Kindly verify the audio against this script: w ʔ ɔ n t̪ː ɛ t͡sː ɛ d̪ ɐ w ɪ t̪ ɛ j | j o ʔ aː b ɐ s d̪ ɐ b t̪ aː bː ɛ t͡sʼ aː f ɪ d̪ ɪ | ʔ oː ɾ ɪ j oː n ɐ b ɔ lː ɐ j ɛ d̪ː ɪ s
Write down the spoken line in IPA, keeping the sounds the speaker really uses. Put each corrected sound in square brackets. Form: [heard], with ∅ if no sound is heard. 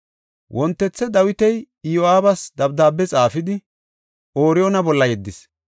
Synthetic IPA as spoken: w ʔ ɔ n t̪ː ɛ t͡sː ɛ d̪ ɐ w ɪ t̪ ɛ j | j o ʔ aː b ɐ s d̪ ɐ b [d̪] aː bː ɛ t͡sʼ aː f ɪ d̪ ɪ | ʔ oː ɾ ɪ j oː n ɐ b ɔ lː ɐ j ɛ d̪ː ɪ s